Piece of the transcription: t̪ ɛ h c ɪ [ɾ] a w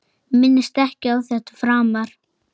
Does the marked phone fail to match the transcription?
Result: yes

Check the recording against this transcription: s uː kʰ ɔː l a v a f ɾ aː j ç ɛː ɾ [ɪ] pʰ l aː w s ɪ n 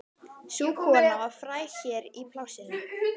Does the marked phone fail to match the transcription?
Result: yes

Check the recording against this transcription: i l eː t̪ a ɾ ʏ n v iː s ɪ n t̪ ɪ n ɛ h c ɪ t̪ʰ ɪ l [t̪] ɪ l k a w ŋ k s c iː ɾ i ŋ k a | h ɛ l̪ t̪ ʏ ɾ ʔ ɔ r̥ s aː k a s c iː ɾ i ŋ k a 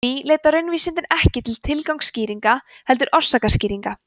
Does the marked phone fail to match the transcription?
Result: yes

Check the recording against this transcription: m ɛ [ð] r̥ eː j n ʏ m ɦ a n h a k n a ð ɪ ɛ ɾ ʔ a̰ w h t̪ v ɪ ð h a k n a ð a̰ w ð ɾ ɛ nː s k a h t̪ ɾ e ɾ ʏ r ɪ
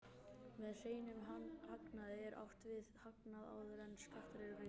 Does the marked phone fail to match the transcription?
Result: no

